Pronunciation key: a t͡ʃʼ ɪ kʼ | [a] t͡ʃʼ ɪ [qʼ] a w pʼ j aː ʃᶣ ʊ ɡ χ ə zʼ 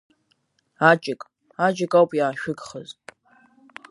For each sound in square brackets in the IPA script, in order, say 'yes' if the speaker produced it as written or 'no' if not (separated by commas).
yes, no